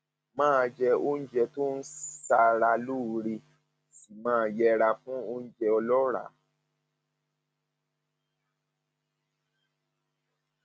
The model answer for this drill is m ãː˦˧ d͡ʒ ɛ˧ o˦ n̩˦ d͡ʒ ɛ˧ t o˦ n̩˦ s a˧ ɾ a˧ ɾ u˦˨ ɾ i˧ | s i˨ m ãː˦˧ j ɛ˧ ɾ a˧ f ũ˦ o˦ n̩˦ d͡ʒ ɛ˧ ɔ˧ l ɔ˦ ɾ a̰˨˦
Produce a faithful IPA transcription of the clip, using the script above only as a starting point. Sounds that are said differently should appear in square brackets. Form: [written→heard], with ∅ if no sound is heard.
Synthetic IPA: m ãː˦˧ d͡ʒ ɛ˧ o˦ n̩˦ d͡ʒ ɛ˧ t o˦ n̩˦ s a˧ ɾ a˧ [ɾ→l] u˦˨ ɾ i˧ | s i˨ m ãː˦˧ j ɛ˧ ɾ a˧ f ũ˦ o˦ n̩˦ d͡ʒ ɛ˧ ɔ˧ l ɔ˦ ɾ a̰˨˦